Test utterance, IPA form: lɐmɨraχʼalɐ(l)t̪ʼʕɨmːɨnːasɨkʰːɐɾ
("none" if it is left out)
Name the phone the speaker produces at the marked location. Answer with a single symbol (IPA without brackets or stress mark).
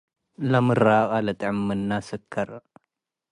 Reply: none